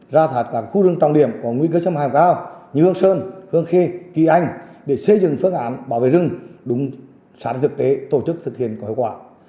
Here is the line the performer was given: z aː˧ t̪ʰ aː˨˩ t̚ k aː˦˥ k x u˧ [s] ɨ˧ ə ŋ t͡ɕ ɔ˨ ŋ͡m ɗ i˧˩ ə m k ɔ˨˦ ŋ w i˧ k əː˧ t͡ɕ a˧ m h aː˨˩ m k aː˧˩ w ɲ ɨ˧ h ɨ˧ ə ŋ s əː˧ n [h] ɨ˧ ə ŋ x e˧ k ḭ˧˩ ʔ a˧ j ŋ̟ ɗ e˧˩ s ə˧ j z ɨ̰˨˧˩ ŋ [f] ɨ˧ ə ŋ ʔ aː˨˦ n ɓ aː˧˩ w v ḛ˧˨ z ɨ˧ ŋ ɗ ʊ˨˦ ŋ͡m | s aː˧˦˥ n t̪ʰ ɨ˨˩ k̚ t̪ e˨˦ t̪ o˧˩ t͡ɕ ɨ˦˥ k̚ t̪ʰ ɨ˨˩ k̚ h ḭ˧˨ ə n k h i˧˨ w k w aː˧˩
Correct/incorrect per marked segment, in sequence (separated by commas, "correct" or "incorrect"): incorrect, correct, correct